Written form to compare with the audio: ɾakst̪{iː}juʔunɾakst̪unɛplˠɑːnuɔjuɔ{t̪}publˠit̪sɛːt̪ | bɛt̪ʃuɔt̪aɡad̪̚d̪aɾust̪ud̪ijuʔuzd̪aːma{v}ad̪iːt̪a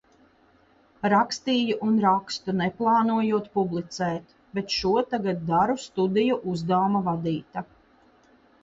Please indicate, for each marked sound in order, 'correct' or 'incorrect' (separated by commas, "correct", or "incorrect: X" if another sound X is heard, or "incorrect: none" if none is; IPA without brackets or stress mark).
correct, correct, correct